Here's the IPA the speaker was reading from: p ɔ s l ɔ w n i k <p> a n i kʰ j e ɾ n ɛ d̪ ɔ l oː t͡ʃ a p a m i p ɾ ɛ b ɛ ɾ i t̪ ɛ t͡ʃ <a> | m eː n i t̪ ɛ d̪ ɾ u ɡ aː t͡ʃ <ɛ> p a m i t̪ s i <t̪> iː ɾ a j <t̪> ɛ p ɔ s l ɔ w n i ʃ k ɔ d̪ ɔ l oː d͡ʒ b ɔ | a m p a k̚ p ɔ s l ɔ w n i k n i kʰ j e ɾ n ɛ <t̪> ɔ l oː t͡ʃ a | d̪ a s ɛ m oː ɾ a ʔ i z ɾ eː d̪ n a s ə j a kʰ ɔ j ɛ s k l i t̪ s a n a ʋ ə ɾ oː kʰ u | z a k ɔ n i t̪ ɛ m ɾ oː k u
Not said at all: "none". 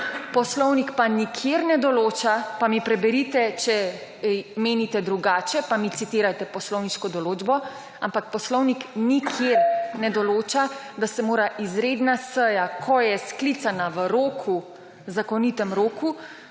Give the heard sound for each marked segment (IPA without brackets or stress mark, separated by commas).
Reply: p, ɛ, ɛ, t̪, t̪, d̪